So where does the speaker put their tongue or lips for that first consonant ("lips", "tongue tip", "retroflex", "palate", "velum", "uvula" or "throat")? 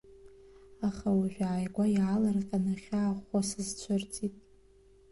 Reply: uvula